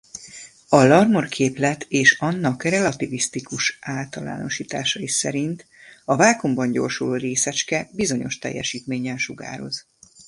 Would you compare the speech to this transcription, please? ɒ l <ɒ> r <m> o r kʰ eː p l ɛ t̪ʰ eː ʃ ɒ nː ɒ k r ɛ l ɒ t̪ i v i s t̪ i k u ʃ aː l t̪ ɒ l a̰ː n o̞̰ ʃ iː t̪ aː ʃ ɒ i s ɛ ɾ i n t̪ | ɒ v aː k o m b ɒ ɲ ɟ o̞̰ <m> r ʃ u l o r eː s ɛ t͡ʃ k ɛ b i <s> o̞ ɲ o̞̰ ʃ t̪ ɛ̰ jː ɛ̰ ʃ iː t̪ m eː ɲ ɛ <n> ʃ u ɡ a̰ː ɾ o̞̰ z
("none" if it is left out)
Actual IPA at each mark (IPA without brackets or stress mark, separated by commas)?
ɒ, m, none, z, n